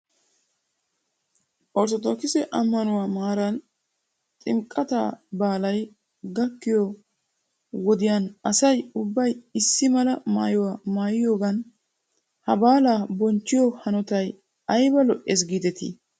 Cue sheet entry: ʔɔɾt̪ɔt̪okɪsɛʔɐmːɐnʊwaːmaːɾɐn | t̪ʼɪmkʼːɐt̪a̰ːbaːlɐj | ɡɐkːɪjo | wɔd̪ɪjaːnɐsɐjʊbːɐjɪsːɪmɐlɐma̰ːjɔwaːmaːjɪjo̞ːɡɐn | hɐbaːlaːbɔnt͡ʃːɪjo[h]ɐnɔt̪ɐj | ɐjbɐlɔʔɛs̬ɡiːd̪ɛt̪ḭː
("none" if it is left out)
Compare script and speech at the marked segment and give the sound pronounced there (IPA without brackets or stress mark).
h